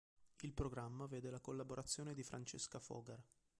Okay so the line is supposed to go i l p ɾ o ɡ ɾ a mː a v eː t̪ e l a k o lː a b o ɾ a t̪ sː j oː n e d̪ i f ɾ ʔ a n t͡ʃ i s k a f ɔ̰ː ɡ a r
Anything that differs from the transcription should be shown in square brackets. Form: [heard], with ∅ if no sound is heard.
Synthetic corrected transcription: i l p ɾ o ɡ ɾ a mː a v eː [d̪] e l a k o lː a b o ɾ a t̪ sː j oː n e d̪ i f ɾ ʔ a n t͡ʃ [e] s k a f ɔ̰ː ɡ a r